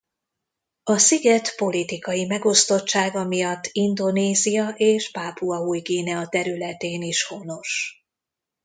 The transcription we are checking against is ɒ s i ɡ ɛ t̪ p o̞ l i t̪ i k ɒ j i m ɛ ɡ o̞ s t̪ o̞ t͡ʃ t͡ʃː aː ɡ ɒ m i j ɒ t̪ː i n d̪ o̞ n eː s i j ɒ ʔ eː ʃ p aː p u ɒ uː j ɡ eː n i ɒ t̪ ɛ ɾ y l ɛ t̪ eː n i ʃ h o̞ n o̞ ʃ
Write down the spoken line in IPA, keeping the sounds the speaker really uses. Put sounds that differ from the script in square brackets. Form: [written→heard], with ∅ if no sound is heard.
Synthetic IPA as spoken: ɒ s i ɡ ɛ t̪ p o̞ l i t̪ i k ɒ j i m ɛ ɡ o̞ s t̪ o̞ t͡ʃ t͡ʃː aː ɡ ɒ m i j ɒ t̪ː i n d̪ o̞ n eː [s→z] i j ɒ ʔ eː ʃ p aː p u ɒ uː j ɡ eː n [i→ɛ] ɒ t̪ ɛ ɾ y l ɛ t̪ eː n i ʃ h o̞ n o̞ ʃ